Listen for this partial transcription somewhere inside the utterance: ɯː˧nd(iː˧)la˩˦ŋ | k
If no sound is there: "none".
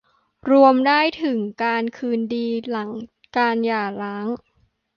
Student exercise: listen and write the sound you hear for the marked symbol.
iː˧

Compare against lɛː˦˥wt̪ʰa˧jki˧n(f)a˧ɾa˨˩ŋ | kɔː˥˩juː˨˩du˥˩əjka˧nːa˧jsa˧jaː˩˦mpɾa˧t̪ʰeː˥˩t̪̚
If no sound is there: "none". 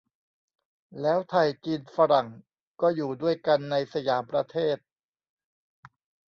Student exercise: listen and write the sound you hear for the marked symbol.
f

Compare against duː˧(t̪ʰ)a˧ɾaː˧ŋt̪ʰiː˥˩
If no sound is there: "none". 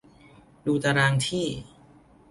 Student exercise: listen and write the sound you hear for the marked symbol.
t̪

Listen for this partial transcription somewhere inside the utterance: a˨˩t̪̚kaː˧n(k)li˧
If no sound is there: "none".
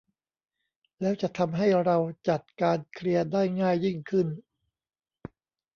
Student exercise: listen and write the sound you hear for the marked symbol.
kʰ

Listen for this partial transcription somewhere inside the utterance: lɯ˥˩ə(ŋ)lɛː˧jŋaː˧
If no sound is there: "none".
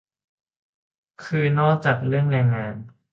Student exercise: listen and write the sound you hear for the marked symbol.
ŋ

